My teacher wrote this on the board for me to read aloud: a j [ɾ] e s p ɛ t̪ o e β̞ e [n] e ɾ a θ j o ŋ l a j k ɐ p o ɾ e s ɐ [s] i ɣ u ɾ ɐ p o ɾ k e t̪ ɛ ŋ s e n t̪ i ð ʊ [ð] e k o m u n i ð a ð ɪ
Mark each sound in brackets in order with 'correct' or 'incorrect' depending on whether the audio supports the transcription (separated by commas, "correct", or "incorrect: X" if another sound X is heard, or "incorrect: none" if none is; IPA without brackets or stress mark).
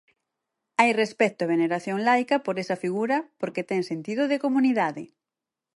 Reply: incorrect: r, correct, incorrect: f, correct